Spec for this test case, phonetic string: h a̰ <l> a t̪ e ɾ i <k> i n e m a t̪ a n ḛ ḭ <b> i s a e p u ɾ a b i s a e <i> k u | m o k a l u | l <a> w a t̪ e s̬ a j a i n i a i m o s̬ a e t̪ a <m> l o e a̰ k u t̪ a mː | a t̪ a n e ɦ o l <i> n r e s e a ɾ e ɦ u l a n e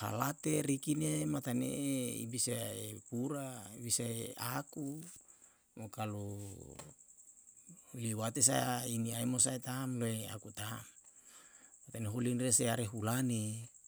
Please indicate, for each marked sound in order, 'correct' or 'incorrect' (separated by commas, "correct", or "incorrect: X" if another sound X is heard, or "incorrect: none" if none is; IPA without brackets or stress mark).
correct, correct, correct, incorrect: a, incorrect: i, correct, correct